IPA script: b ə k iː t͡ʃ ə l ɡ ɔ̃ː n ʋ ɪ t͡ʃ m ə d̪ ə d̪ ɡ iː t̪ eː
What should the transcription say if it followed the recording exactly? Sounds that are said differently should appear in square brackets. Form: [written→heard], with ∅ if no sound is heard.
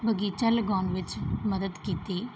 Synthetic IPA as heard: b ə [k→ɡ] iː t͡ʃ ə l ɡ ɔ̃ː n ʋ ɪ t͡ʃ m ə d̪ ə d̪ [ɡ→k] iː t̪ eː